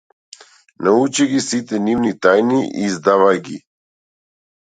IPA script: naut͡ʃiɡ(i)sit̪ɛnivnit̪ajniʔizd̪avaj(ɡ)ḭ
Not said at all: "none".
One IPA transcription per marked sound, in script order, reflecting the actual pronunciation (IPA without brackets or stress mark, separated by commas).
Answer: i, ɡ